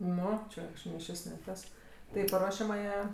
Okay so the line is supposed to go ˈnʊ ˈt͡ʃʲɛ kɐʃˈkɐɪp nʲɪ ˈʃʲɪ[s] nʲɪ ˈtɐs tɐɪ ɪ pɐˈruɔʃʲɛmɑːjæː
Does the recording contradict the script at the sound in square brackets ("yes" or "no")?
no